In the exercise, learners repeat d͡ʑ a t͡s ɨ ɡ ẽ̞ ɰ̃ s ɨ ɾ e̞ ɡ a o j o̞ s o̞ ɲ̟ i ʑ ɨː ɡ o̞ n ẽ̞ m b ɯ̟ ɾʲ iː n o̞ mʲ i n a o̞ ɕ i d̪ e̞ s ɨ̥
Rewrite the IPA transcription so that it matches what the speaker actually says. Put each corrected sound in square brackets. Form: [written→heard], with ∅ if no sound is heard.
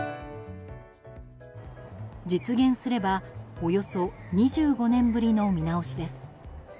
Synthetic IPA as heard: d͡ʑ [a→i] t͡s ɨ ɡ ẽ̞ ɰ̃ s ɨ ɾ e̞ [ɡ→b] a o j o̞ s o̞ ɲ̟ i ʑ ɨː ɡ o̞ n ẽ̞ m b ɯ̟ ɾʲ [iː→i] n o̞ mʲ i n a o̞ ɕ i d̪ e̞ s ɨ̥